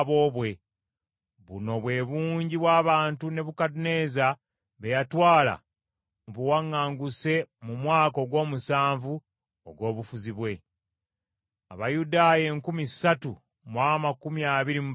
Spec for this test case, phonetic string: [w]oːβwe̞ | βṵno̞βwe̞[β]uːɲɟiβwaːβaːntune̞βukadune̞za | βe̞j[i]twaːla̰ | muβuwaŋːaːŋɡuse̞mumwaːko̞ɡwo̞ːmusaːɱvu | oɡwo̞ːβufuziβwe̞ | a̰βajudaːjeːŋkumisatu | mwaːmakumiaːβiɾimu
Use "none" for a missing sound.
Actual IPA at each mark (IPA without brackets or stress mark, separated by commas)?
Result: β, β, a